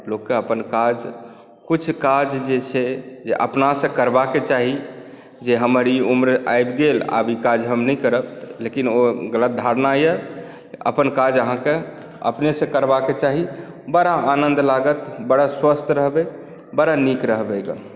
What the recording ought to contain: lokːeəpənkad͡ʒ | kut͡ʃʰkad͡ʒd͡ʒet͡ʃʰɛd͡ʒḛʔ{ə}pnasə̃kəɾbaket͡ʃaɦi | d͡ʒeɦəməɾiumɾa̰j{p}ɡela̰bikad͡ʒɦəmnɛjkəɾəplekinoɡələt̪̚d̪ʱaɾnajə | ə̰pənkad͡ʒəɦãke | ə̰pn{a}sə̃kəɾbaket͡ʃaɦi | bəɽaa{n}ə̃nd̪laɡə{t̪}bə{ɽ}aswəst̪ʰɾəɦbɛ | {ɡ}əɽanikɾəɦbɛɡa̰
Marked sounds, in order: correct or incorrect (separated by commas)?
correct, incorrect, incorrect, correct, correct, correct, incorrect